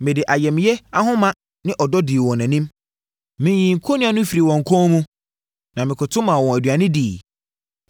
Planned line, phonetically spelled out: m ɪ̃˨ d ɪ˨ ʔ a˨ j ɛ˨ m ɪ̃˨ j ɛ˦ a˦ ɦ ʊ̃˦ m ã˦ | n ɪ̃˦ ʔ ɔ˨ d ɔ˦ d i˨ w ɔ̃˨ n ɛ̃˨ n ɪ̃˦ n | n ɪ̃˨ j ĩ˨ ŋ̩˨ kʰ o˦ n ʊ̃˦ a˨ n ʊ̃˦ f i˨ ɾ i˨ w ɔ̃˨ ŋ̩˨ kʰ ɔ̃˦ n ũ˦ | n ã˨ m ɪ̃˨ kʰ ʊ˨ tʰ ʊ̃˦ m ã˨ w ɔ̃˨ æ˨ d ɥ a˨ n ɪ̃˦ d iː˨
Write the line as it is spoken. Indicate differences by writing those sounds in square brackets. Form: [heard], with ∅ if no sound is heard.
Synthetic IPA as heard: m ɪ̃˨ d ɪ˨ ʔ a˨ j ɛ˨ m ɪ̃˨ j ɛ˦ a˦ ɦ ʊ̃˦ m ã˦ | n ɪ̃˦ ʔ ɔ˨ d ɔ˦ d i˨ w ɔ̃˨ n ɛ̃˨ n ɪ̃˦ [m] | [m] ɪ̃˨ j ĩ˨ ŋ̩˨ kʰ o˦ n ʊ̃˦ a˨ n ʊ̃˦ f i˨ ɾ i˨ w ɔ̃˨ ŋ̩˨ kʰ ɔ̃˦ [m] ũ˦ | n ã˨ m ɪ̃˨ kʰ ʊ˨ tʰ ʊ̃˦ m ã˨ w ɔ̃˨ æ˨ d ɥ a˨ n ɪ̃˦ d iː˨